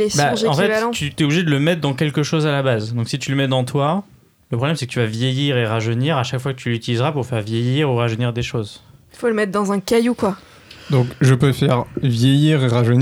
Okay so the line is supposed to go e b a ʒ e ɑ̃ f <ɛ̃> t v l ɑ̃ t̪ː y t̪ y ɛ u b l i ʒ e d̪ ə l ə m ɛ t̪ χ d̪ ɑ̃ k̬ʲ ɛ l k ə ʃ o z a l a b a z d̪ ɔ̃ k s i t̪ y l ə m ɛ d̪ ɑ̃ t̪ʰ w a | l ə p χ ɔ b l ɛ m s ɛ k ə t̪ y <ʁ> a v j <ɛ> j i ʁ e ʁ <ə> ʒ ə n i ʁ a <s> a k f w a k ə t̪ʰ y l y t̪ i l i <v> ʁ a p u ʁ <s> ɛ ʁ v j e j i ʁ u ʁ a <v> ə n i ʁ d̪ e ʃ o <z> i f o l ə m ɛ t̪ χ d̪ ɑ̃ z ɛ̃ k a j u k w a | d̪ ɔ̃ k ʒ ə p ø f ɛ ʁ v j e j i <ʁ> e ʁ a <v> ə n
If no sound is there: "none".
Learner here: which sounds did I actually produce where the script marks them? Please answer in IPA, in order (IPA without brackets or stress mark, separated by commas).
ɛ, v, e, a, ʃ, z, f, ʒ, z, ʁ, ʒ